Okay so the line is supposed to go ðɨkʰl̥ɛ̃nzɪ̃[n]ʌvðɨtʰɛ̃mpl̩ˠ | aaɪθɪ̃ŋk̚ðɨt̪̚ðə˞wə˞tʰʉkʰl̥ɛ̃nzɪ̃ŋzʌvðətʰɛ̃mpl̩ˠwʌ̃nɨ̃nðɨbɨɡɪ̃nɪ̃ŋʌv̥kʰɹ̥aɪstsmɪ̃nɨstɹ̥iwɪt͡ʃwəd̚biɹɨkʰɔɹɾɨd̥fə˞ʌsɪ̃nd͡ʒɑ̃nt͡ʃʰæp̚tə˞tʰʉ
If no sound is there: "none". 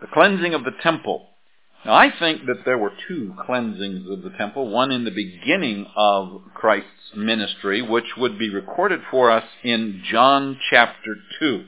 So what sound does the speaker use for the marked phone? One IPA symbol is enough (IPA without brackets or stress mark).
ŋ